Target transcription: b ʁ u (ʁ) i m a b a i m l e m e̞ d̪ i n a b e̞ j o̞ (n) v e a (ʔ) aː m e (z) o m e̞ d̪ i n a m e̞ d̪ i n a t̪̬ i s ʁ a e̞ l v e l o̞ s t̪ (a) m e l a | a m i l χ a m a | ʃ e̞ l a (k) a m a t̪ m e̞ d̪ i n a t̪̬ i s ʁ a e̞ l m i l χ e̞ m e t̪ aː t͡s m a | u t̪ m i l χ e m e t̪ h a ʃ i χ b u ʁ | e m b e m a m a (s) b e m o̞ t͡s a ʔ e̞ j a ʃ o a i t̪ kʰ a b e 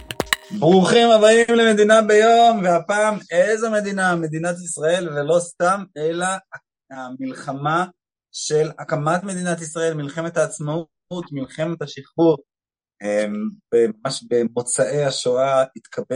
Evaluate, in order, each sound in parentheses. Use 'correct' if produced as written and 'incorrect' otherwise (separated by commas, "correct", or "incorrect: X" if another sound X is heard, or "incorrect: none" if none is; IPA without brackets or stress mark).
incorrect: χ, incorrect: m, incorrect: p, correct, correct, correct, incorrect: ʃ